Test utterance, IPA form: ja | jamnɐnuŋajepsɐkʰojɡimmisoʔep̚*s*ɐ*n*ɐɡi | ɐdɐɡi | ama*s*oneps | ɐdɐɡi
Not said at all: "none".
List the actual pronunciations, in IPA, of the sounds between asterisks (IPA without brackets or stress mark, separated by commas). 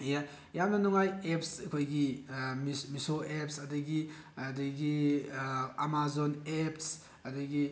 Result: s, d, z